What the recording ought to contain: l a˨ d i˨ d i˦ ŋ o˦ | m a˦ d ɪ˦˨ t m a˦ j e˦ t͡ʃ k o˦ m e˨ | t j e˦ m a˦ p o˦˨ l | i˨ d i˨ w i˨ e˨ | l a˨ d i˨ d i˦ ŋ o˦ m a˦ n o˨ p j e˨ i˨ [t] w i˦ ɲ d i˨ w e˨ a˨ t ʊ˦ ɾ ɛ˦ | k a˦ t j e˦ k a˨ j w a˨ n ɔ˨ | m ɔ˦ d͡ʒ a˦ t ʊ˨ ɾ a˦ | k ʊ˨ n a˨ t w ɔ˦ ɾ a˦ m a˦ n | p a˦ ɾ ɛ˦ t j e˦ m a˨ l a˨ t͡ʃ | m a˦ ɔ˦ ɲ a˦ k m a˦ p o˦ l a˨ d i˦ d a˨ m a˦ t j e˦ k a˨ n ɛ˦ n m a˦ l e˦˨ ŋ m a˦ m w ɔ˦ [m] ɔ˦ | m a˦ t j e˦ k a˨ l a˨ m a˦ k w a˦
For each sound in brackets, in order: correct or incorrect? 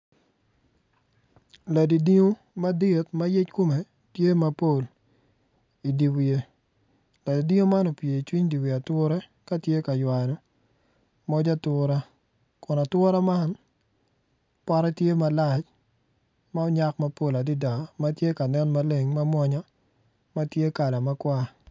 incorrect: t͡ʃ, incorrect: ɲ

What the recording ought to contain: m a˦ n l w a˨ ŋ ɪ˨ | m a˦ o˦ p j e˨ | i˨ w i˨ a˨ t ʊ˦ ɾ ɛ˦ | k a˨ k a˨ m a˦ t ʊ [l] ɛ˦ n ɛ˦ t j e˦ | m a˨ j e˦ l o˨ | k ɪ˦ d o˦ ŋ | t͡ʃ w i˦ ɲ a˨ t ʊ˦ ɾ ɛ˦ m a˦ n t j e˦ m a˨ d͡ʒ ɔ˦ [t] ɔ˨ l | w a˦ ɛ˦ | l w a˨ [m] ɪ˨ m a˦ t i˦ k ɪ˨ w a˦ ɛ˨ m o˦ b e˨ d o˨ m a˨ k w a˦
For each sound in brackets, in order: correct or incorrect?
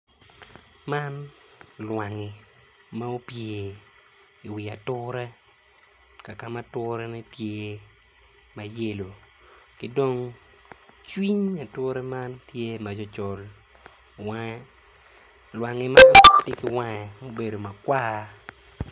incorrect: ɾ, incorrect: t͡ʃ, incorrect: ŋ

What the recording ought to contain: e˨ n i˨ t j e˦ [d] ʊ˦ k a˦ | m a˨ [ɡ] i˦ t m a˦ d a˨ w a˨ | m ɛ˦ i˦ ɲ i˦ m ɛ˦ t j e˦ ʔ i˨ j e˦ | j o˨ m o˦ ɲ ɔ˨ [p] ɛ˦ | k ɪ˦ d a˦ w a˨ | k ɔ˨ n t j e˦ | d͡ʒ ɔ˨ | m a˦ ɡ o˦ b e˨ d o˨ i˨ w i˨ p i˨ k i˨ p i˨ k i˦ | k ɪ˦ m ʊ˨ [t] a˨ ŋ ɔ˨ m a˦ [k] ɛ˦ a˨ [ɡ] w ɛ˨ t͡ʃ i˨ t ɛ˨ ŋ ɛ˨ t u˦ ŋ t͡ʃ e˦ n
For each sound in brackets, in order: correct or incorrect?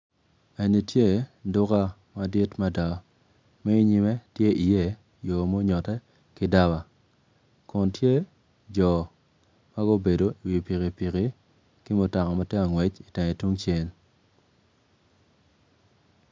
correct, incorrect: d, incorrect: t, correct, incorrect: t, incorrect: ŋ

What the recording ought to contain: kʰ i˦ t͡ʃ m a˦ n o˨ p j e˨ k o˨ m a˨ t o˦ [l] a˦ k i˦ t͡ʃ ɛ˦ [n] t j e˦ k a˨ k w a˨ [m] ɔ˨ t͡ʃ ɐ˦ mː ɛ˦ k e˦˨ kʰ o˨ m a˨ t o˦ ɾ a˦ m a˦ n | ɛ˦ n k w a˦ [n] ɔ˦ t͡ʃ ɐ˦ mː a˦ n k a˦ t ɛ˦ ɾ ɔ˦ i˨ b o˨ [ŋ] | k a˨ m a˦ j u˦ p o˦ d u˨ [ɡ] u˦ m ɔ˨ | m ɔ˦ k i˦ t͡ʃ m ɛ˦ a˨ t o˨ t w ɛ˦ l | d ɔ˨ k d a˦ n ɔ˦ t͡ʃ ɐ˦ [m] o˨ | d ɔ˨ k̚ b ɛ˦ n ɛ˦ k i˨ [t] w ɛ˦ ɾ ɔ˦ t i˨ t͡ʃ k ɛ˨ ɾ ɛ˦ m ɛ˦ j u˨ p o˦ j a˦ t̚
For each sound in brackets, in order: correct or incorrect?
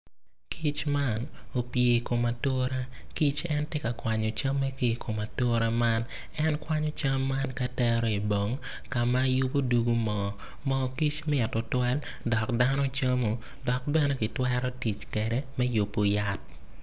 incorrect: ɾ, correct, incorrect: ɲ, incorrect: ɲ, correct, correct, correct, correct

